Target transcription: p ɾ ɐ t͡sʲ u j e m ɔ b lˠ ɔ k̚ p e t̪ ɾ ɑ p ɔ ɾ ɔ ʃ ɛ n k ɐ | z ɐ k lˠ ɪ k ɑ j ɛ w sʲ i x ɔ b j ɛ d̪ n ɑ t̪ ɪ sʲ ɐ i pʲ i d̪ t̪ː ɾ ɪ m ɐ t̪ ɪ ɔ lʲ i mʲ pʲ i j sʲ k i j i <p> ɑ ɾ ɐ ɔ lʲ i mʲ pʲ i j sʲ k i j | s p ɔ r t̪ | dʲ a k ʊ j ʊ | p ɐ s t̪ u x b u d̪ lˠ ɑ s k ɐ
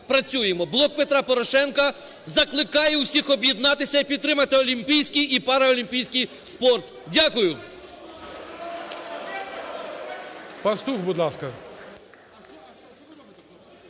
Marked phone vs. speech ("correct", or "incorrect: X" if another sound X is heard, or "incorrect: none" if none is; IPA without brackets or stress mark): correct